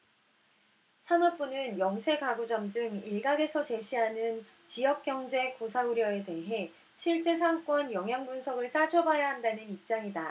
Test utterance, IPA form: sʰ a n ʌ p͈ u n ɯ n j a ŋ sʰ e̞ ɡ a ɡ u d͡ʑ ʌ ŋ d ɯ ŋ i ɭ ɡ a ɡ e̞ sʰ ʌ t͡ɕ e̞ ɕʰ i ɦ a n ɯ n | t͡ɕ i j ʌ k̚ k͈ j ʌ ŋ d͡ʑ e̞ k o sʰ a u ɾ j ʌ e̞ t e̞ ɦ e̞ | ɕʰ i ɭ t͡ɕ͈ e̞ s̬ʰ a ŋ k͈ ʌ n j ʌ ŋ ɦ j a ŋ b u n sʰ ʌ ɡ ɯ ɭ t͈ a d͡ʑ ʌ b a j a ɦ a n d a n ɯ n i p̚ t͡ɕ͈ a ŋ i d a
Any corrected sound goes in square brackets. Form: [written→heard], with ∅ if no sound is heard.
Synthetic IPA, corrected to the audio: sʰ a n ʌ p͈ u n ɯ n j [a→ʌ] ŋ sʰ e̞ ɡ a ɡ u d͡ʑ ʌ [ŋ→m] d ɯ ŋ i ɭ ɡ a ɡ e̞ sʰ ʌ t͡ɕ e̞ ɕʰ i ɦ a n ɯ n | t͡ɕ i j ʌ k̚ k͈ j ʌ ŋ d͡ʑ e̞ k o sʰ a u ɾ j ʌ e̞ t e̞ ɦ e̞ | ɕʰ i ɭ t͡ɕ͈ e̞ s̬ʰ a ŋ k͈ ʌ n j ʌ ŋ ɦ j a ŋ b u n sʰ ʌ ɡ ɯ ɭ t͈ a d͡ʑ ʌ b a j a ɦ a n d a n ɯ n i p̚ t͡ɕ͈ a ŋ i d a